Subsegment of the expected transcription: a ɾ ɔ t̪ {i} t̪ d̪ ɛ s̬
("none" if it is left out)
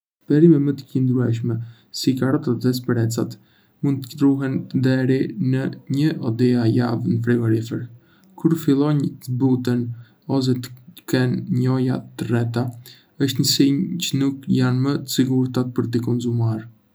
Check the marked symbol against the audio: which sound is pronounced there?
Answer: a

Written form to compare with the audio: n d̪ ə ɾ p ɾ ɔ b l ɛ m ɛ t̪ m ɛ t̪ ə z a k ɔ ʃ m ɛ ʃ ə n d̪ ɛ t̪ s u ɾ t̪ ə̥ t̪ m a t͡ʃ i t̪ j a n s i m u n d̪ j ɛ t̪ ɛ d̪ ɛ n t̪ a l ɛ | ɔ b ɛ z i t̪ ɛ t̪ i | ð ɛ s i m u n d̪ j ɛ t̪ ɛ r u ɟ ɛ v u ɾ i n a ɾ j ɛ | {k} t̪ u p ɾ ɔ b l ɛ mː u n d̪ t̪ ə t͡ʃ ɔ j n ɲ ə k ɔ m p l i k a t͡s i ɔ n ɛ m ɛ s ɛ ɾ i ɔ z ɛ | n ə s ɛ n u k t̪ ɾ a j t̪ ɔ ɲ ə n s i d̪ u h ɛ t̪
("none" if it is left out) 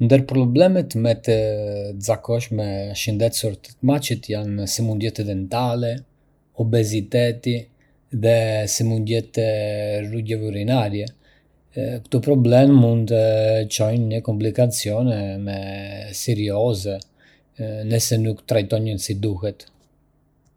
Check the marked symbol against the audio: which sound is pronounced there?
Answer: k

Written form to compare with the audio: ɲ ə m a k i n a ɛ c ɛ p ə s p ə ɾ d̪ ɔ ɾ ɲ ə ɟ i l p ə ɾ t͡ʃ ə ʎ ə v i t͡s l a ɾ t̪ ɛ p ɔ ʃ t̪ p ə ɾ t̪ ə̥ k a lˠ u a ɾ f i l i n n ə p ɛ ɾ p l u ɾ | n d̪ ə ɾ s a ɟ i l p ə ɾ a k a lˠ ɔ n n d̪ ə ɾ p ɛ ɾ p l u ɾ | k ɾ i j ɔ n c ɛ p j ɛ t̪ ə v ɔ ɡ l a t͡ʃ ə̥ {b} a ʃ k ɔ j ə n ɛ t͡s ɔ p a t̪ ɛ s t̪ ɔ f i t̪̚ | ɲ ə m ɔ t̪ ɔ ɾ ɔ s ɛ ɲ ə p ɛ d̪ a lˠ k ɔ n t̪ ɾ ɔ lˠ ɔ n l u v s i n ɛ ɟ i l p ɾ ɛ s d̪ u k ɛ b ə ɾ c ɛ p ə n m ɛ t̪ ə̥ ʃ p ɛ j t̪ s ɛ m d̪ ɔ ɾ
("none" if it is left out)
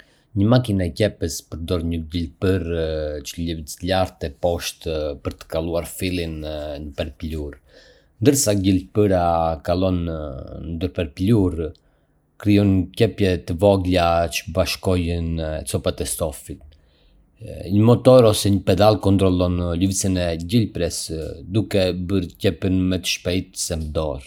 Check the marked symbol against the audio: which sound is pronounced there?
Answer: b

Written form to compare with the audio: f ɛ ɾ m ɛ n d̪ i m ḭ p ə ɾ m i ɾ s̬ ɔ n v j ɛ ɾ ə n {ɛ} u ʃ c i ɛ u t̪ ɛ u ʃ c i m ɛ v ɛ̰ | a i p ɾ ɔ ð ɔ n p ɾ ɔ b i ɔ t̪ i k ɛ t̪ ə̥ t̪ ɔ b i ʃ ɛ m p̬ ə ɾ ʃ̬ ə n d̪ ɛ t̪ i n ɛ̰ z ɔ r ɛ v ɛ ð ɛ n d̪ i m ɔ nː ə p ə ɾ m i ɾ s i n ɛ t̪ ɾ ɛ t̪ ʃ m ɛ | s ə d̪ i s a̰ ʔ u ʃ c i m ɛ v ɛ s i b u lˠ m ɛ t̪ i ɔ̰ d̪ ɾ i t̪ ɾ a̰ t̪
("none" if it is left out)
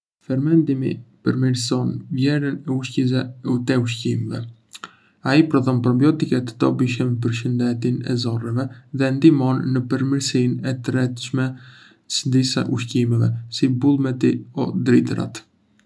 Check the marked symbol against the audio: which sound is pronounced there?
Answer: ɛ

